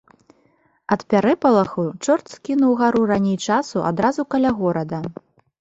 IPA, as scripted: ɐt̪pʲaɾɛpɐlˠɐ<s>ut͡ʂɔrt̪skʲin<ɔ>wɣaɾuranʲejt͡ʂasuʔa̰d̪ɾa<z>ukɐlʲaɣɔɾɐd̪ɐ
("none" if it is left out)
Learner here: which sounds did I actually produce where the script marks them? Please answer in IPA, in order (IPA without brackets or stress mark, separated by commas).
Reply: x, u, z